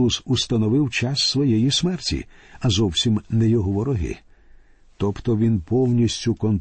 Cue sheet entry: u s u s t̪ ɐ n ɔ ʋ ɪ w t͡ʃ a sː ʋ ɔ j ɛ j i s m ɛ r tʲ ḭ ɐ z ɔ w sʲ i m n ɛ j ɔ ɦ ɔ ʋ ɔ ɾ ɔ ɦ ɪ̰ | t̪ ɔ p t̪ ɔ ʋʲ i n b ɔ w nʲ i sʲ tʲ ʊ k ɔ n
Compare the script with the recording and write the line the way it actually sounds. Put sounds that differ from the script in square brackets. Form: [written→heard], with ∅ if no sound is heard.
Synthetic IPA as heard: u s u s t̪ ɐ n ɔ ʋ ɪ w t͡ʃ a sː ʋ ɔ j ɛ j i s m ɛ r tʲ ḭ ɐ z ɔ w sʲ i m n ɛ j ɔ ɦ ɔ ʋ ɔ ɾ ɔ ɦ ɪ̰ | t̪ ɔ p t̪ ɔ ʋʲ i n [b→p] ɔ w nʲ i sʲ tʲ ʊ k ɔ n